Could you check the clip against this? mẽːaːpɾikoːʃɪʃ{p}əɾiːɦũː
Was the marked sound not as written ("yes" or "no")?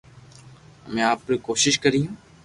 yes